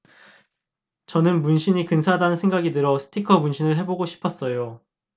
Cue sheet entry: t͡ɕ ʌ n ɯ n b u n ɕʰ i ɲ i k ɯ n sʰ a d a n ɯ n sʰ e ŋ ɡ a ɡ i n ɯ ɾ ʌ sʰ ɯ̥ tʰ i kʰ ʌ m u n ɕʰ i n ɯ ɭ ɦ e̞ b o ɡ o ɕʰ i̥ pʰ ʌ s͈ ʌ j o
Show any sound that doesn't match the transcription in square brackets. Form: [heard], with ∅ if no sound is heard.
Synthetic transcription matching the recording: t͡ɕ ʌ n ɯ n [m] u n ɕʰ i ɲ i k ɯ n sʰ a d a n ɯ n sʰ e ŋ ɡ a ɡ i [d] ɯ ɾ ʌ sʰ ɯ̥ tʰ i kʰ ʌ m u n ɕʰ i n ɯ ɭ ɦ e̞ b o ɡ o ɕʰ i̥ pʰ ʌ s͈ ʌ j o